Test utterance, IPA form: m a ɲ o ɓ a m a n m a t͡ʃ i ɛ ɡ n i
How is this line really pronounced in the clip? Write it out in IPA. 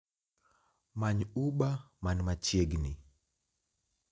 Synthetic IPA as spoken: m a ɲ u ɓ a m a n m a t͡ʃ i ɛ ɡ n i